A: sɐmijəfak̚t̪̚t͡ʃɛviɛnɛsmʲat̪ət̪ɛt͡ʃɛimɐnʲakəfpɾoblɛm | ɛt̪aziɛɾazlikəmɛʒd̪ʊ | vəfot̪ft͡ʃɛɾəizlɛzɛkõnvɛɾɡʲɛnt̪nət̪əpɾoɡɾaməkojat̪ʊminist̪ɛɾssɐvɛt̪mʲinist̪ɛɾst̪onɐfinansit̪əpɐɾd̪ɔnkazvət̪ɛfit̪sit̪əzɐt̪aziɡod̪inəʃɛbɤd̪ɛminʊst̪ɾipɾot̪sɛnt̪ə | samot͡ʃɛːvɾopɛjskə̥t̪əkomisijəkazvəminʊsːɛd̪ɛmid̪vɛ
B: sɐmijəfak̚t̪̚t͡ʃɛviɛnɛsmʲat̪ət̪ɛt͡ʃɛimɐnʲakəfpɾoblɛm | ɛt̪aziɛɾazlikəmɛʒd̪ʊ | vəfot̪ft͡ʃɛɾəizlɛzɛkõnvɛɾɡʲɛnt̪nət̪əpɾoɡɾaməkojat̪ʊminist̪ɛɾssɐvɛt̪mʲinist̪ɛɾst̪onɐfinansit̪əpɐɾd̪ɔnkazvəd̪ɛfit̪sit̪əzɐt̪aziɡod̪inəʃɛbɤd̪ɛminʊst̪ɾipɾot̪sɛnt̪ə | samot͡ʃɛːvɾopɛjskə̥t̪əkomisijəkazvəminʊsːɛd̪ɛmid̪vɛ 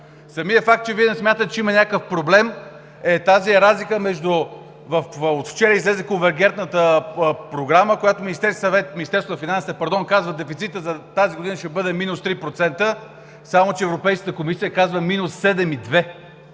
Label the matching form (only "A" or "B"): B